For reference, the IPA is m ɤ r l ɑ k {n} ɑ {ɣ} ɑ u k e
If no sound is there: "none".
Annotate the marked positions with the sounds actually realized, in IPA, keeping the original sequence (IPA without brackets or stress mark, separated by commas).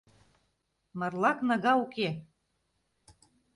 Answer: n, ɣ